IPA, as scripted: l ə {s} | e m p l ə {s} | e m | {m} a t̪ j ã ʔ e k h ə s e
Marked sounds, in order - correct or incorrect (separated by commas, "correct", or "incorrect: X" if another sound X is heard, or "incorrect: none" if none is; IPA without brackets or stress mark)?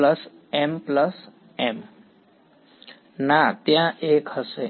correct, correct, incorrect: n